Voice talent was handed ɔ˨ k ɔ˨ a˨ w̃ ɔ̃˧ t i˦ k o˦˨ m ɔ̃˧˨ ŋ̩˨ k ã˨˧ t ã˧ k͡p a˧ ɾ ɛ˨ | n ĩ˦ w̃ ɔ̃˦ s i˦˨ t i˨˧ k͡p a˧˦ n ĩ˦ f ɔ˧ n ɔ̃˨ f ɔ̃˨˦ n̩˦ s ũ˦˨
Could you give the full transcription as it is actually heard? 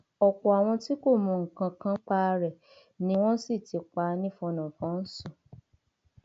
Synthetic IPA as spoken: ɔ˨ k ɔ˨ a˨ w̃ ɔ̃˧ t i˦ k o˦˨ m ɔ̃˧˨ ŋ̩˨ k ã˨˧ k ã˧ k͡p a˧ ɾ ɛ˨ | n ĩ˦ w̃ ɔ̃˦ s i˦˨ t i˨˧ k͡p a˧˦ n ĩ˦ f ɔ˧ n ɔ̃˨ f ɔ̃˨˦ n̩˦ s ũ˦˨